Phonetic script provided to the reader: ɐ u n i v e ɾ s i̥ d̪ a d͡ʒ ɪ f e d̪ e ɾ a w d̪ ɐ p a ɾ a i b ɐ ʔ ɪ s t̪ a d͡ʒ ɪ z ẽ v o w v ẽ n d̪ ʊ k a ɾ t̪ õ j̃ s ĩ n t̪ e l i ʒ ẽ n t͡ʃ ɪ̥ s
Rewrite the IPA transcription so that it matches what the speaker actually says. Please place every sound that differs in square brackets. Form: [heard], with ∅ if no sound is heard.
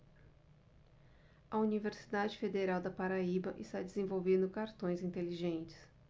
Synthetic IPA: ɐ u n i v e ɾ s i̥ d̪ a d͡ʒ ɪ f e d̪ e ɾ a w d̪ ɐ p a ɾ a i b ɐ ʔ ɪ s t̪ a d͡ʒ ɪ z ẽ v o w v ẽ n d̪ ʊ k a ɾ t̪ õ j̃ [z] ĩ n t̪ e l i ʒ ẽ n t͡ʃ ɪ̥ s